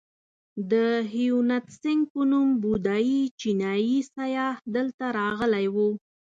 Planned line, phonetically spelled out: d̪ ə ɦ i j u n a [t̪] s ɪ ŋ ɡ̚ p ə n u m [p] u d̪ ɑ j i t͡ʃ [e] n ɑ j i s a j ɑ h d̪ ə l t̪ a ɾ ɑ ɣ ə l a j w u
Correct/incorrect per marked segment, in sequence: correct, incorrect: b, incorrect: i

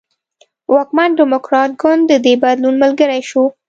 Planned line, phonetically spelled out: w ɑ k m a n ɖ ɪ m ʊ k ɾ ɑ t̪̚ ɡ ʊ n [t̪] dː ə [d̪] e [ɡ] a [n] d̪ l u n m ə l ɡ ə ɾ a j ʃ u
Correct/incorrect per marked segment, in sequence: incorrect: d̪, correct, incorrect: b, incorrect: none

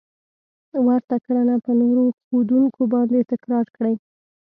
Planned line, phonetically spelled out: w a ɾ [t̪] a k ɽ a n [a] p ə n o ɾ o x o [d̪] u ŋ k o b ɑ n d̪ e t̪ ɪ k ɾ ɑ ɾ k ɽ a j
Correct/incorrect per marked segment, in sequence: correct, correct, correct

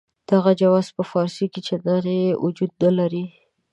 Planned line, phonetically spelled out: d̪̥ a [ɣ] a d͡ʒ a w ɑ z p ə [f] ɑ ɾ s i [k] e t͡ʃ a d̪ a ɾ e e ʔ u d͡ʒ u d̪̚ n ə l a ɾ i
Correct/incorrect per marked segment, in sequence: correct, correct, correct

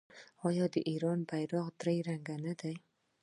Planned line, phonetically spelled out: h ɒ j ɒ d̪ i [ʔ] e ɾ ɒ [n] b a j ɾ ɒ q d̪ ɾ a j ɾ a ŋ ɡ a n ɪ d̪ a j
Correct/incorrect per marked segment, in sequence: correct, correct

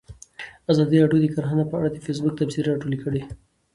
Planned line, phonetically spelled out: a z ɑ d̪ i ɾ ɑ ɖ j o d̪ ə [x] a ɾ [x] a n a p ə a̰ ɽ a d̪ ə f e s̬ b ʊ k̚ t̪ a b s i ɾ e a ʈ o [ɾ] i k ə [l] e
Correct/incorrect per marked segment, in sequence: incorrect: k, correct, incorrect: l, incorrect: ɽ

